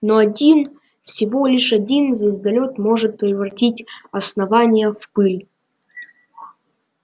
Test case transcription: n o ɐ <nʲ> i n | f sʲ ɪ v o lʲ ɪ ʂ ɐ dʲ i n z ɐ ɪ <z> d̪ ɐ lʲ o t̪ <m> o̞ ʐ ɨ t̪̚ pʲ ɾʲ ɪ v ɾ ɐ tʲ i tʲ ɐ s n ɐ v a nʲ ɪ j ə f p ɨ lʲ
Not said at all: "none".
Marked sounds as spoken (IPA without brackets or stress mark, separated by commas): dʲ, z, m